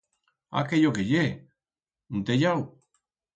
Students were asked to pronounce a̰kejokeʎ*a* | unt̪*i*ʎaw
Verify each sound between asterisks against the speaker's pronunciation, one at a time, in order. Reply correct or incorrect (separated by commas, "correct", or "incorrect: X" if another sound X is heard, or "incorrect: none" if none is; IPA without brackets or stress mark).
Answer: incorrect: e, incorrect: e